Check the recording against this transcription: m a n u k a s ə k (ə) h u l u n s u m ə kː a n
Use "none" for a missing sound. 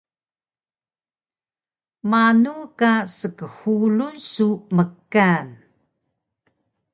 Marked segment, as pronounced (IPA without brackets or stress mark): ə